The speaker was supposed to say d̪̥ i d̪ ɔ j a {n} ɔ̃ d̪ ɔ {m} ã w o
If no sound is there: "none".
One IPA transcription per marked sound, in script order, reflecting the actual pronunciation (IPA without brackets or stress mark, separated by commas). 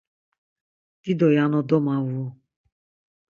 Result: n, m